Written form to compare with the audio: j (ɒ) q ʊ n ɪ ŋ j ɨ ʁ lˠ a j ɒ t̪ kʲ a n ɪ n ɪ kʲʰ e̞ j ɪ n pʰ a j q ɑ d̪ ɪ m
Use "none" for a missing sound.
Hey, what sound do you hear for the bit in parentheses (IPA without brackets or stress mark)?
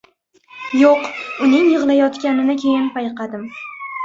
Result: o